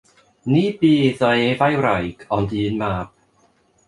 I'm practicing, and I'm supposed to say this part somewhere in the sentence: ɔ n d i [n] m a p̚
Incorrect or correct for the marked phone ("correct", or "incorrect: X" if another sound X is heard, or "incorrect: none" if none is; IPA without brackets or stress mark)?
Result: correct